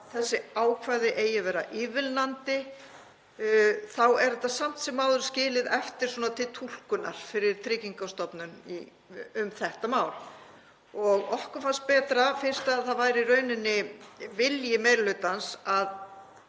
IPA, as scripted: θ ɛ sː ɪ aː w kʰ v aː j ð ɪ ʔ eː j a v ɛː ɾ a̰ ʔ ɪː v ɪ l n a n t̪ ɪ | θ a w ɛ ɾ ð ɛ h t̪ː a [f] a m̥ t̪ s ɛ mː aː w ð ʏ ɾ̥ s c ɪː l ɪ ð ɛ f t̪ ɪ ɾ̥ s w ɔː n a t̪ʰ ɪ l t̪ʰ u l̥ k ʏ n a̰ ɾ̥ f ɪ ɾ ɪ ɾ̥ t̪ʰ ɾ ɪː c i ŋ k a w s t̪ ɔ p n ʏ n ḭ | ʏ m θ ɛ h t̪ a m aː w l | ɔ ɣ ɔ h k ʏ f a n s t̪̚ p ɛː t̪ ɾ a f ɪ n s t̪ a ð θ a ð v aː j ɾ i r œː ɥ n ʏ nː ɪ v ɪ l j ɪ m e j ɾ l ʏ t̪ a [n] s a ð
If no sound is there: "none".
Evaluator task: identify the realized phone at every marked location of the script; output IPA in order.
s, n

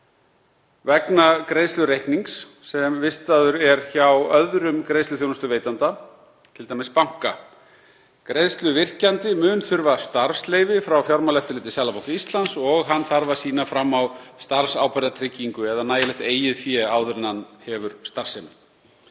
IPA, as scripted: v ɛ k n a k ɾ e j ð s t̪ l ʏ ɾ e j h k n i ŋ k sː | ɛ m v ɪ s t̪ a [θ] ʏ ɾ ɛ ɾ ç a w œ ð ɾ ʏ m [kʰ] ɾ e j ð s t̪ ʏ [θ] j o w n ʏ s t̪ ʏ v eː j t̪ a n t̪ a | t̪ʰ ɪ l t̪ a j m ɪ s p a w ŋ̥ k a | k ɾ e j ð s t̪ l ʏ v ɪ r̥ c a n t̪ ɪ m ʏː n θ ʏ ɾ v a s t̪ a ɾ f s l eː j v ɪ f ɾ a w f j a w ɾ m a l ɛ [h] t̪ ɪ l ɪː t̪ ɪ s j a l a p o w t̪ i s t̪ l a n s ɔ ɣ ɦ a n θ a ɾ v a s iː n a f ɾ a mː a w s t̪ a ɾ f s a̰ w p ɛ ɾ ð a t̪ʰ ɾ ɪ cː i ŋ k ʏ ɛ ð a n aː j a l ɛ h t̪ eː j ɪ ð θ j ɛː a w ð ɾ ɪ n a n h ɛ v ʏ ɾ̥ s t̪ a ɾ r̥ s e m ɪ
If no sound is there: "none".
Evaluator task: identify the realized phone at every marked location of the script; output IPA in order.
ð, k, θ, f

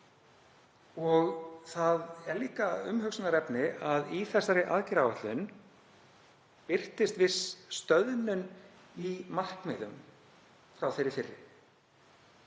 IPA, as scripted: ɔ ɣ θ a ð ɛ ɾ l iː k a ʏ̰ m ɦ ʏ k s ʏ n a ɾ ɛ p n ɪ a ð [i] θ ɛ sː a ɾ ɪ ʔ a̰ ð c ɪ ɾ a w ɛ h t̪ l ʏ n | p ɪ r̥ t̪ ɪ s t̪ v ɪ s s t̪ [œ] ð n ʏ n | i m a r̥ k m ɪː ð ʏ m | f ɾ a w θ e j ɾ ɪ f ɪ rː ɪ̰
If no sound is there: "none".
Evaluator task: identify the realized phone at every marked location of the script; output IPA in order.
i, œ

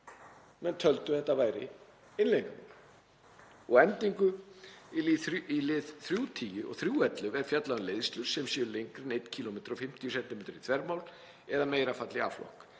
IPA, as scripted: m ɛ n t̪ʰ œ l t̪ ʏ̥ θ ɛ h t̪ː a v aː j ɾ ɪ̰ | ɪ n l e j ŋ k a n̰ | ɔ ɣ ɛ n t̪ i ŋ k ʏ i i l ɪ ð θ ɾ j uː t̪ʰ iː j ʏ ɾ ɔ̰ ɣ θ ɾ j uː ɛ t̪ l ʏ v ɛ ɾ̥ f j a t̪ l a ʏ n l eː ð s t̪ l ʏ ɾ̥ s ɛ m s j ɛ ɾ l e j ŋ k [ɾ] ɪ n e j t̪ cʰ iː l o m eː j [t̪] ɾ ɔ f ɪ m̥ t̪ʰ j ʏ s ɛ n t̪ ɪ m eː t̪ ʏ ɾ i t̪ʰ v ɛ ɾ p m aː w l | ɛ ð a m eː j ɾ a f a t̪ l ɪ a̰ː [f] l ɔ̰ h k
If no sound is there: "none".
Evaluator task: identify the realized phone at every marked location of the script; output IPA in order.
ɾ, t̪, f

